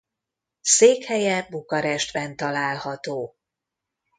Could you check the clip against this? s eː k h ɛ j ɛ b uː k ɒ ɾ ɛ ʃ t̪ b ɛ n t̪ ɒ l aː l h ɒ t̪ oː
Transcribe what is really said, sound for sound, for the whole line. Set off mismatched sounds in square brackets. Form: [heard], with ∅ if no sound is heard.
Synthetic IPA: s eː k h ɛ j ɛ b [u] k ɒ ɾ ɛ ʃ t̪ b ɛ n t̪ ɒ l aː l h ɒ t̪ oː